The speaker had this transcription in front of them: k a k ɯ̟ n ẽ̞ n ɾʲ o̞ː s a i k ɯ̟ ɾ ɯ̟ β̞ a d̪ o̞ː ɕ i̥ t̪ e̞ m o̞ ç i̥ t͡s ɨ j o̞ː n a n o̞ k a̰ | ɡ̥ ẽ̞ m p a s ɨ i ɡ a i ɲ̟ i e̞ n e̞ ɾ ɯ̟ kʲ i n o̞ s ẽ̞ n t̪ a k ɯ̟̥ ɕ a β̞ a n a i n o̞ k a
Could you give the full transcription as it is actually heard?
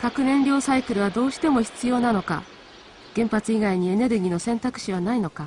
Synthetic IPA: k a k ɯ̟ n ẽ̞ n ɾʲ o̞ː s a i k ɯ̟ ɾ ɯ̟ β̞ a d̪ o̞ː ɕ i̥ t̪ e̞ m o̞ ç i̥ t͡s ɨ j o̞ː n a n o̞ k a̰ | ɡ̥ ẽ̞ m p a t͡s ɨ i ɡ a i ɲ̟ i e̞ n e̞ ɾ ɯ̟ ɡʲ i n o̞ s ẽ̞ n t̪ a k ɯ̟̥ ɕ i β̞ a n a i n o̞ k a